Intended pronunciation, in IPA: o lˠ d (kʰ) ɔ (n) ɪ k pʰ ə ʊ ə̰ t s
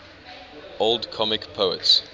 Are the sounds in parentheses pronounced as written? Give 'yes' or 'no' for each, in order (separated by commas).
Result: yes, no